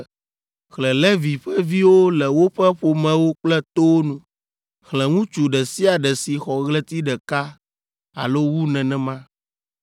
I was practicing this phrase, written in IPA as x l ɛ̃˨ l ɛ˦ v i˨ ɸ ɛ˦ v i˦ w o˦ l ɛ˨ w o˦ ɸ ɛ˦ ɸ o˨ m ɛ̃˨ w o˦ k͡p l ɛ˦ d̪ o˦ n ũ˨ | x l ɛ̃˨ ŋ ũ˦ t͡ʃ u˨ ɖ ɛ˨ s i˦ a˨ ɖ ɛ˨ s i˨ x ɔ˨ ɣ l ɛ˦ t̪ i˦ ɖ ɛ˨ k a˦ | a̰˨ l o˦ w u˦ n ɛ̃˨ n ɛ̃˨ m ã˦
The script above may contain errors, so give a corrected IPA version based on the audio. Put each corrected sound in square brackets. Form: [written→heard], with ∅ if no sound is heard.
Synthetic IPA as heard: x l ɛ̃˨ l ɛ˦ v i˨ ɸ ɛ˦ v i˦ w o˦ l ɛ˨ w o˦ ɸ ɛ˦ ɸ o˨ m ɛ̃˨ w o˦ k͡p l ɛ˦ [d̪→t̪] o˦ n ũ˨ | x l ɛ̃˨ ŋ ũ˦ t͡ʃ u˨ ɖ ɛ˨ s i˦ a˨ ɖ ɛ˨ s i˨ x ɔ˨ ɣ l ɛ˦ t̪ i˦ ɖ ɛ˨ k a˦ | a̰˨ l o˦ w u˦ n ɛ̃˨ n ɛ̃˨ m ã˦

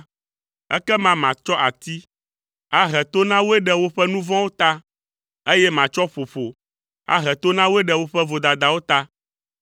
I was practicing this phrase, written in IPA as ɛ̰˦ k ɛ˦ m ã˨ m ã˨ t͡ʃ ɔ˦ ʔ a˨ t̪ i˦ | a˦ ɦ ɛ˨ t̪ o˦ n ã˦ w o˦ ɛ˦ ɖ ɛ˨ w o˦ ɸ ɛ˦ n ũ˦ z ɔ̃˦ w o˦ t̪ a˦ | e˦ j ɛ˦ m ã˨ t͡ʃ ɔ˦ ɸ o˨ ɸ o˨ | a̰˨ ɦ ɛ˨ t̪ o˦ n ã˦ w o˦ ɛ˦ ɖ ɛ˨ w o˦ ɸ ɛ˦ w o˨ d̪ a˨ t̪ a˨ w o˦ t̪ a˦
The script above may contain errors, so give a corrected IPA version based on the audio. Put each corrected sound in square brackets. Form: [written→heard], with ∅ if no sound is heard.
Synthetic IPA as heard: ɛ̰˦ k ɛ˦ m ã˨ m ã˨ t͡ʃ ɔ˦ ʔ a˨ t̪ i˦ | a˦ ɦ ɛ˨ t̪ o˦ n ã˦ w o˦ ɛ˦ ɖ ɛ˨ w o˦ ɸ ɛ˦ n ũ˦ [z→v] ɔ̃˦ w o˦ t̪ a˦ | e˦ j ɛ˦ m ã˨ t͡ʃ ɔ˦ ɸ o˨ ɸ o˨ | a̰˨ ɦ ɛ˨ t̪ o˦ n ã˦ w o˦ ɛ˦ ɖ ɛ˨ w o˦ ɸ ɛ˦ [w→v] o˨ d̪ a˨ [t̪→d̪] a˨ w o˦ t̪ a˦

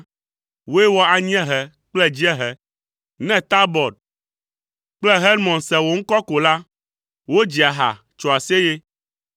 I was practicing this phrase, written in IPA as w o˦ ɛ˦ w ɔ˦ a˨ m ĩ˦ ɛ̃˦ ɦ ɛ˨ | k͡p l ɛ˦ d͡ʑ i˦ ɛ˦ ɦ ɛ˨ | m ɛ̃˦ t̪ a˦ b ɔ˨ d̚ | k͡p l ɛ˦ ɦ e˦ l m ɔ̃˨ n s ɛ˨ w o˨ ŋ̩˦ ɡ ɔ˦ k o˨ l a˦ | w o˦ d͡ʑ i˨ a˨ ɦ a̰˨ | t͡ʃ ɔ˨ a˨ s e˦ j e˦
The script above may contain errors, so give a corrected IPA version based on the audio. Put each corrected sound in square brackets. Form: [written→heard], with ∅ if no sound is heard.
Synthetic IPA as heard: w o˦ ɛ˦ w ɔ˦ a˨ [m→ɲ] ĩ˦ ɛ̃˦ ɦ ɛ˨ | k͡p l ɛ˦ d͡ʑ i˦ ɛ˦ ɦ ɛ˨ | [m→n] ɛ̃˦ t̪ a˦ b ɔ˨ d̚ | k͡p l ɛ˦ ɦ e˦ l m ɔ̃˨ n s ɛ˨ w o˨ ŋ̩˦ [ɡ→k] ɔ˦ k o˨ l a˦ | w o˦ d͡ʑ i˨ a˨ ɦ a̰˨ | t͡ʃ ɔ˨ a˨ s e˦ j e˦

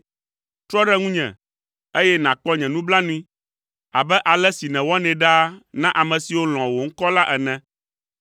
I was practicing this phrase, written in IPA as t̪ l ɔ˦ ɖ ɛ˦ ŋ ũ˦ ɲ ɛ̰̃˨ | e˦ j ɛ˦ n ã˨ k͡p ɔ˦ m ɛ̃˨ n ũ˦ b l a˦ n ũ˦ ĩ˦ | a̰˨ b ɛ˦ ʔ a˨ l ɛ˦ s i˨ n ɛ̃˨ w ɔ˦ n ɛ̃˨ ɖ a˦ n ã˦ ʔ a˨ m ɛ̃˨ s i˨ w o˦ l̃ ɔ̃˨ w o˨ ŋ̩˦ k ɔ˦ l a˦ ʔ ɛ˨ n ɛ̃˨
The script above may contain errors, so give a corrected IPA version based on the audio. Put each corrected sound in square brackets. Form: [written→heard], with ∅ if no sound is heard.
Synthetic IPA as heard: t̪ [l→ɾ] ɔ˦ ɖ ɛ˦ ŋ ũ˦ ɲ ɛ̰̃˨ | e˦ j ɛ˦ n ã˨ k͡p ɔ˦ [m→ɲ] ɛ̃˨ n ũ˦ b l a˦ n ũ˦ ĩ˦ | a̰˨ b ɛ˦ ʔ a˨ l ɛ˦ s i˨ n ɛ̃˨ w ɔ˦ n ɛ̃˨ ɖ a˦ n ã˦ ʔ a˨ m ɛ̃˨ s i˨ w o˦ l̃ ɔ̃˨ w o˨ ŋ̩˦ k ɔ˦ l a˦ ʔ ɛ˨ n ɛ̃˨

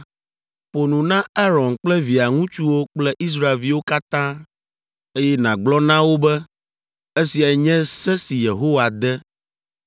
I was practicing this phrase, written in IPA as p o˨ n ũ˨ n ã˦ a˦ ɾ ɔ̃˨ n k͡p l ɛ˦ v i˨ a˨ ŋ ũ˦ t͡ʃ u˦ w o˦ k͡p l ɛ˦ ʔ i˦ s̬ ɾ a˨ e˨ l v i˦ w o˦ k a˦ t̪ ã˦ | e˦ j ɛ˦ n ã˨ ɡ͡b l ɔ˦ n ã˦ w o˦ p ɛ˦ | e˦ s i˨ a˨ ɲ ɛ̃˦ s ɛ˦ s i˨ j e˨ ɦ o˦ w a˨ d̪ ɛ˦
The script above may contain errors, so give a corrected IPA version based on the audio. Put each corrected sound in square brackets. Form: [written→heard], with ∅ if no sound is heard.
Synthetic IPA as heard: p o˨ n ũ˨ n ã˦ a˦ ɾ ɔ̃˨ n k͡p l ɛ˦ v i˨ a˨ ŋ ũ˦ t͡ʃ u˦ w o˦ k͡p l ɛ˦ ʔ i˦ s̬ ɾ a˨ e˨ l v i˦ w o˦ k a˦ t̪ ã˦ | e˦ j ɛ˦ n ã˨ ɡ͡b l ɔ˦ n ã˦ w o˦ [p→b] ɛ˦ | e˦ s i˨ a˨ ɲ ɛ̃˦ s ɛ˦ s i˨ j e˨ ɦ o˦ w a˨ d̪ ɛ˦

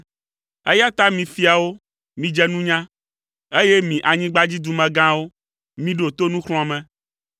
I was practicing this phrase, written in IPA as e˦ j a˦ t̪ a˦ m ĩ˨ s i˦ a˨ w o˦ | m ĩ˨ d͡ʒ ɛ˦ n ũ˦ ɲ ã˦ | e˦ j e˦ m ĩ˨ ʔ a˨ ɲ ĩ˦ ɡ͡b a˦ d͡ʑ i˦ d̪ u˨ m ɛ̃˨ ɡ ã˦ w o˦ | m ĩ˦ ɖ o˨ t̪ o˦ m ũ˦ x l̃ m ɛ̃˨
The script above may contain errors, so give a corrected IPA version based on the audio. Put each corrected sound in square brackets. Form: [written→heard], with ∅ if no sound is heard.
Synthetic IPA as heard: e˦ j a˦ t̪ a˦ m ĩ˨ [s→f] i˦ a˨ w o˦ | m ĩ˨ d͡ʒ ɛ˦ n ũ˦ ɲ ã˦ | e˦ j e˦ m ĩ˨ ʔ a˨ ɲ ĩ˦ ɡ͡b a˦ d͡ʑ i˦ d̪ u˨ m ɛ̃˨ ɡ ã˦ w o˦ | m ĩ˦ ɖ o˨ t̪ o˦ [m→n] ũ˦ x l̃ m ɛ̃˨

